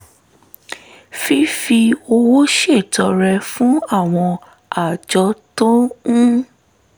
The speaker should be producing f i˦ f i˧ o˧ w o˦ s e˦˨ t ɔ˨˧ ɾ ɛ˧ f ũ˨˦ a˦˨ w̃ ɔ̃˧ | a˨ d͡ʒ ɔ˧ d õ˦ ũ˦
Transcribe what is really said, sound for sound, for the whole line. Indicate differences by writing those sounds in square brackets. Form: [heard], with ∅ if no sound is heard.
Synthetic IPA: f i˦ f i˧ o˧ w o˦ [ʃ] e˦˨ t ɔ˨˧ ɾ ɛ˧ f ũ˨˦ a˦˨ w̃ ɔ̃˧ | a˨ d͡ʒ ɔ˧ [t] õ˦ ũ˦